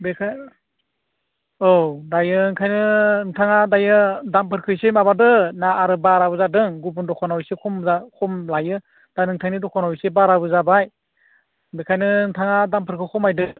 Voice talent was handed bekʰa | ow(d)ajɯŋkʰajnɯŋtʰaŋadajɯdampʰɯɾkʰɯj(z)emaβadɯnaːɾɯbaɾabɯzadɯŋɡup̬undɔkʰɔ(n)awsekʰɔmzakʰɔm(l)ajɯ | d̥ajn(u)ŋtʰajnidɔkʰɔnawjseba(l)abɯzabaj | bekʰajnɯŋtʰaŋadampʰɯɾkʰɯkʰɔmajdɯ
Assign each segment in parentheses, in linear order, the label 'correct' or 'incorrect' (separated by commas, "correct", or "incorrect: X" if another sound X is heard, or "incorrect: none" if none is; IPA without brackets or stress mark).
correct, incorrect: s, correct, correct, incorrect: ɯ, incorrect: ɾ